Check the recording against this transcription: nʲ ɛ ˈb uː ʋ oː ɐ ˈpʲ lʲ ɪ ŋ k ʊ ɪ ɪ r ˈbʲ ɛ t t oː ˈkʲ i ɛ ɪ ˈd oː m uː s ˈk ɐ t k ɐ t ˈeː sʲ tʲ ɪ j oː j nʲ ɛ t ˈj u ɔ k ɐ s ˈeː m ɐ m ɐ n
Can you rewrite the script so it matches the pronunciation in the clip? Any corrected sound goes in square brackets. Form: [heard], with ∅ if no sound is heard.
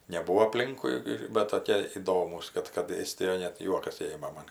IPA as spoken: nʲ ɛ ˈb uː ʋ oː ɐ ˈpʲ lʲ ɪ ŋ k ʊ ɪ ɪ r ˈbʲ ɛ t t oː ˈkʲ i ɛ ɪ ˈd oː m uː s ˈk ɐ t k ɐ t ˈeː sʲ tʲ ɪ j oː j nʲ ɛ t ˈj u ɔ k ɐ s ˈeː m ɐ m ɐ n